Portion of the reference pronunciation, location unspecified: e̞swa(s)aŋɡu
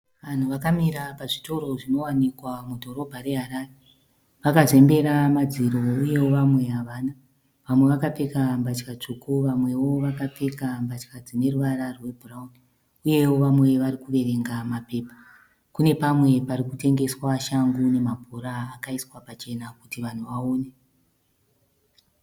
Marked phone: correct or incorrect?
incorrect